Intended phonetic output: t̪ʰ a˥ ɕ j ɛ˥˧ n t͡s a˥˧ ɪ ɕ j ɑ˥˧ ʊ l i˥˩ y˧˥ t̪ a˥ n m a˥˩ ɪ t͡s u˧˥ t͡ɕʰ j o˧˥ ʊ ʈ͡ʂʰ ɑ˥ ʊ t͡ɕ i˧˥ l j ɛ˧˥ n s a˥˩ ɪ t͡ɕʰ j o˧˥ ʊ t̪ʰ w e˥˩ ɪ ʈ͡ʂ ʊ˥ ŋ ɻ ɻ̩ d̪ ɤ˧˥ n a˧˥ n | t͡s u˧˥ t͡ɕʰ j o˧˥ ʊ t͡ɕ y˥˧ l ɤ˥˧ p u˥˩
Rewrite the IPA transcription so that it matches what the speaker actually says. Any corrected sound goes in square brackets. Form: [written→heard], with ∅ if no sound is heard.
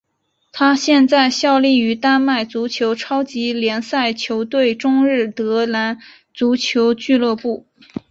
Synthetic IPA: t̪ʰ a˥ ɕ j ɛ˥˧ n t͡s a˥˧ ɪ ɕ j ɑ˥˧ ʊ l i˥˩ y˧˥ t̪ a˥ n m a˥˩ ɪ t͡s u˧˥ t͡ɕʰ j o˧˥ ʊ ʈ͡ʂʰ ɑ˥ ʊ t͡ɕ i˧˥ l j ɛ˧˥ n s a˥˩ ɪ t͡ɕʰ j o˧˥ ʊ [t̪ʰ→t̪] w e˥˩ ɪ ʈ͡ʂ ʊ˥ ŋ ɻ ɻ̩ [d̪→t̪] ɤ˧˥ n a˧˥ n | t͡s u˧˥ t͡ɕʰ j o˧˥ ʊ t͡ɕ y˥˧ l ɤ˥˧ p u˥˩